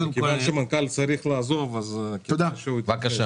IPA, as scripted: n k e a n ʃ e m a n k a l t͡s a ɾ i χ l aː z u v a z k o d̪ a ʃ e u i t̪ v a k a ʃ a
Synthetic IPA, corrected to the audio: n k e a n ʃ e m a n k a l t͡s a ɾ i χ l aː z o v a z k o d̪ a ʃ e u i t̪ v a k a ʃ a